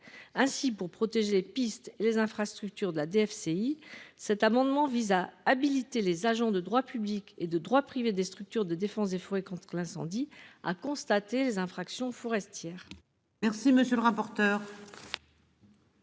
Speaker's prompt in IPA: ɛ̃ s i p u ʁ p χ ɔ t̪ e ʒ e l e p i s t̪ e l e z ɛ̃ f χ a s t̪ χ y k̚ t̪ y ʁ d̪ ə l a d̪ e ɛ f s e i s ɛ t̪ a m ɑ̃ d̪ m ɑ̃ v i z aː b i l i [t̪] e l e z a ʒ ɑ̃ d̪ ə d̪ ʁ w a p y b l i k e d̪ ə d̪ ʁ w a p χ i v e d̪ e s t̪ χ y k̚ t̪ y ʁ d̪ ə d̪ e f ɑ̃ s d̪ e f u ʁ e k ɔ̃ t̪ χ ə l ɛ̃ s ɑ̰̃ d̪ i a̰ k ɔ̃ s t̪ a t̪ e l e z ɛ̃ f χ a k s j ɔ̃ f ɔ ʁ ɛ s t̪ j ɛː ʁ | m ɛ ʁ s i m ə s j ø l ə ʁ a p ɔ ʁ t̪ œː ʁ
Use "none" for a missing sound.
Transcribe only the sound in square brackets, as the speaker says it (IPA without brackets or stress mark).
t̪